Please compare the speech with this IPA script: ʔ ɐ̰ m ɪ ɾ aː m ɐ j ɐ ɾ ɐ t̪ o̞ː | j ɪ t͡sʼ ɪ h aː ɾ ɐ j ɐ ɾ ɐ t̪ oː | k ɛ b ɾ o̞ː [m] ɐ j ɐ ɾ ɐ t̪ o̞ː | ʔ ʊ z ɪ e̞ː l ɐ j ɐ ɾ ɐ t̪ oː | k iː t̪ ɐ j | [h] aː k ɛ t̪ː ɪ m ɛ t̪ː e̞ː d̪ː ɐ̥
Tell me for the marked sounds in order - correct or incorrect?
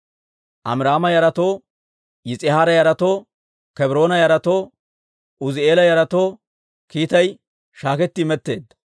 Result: incorrect: n, incorrect: ʃ

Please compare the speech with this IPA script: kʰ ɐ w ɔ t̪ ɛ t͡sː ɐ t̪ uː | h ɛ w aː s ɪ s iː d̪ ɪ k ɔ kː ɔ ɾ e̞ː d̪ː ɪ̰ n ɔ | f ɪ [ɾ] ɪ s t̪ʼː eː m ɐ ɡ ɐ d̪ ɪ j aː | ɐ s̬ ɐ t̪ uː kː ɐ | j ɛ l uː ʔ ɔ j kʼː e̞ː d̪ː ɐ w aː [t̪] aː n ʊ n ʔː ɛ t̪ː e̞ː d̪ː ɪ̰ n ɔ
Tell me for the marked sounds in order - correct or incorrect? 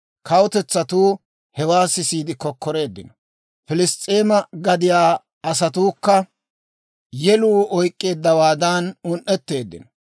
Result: incorrect: l, incorrect: d̪

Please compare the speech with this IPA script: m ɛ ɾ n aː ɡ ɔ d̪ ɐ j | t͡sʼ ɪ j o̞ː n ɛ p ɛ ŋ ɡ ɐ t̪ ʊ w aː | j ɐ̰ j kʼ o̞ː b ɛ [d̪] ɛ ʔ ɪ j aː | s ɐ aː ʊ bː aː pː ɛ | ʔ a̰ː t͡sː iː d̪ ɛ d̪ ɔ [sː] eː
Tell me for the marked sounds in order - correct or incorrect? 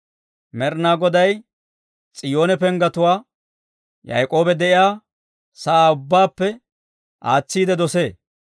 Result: correct, incorrect: s

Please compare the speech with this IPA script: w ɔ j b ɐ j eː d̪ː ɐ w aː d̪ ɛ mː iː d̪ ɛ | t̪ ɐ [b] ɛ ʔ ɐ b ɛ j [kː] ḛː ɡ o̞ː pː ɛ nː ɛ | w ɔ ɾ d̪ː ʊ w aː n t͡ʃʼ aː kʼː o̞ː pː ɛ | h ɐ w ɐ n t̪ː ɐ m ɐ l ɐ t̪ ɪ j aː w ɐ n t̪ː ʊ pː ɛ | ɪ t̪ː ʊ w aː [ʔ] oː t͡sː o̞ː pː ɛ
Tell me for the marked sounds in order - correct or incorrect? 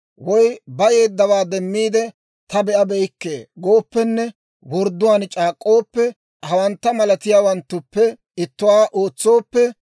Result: correct, correct, correct

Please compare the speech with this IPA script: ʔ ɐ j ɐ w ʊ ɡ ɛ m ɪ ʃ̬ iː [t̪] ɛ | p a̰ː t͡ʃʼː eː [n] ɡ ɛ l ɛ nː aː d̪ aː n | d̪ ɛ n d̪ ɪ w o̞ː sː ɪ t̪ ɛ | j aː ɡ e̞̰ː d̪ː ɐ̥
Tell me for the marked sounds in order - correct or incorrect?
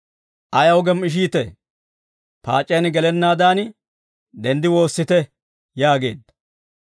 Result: correct, correct

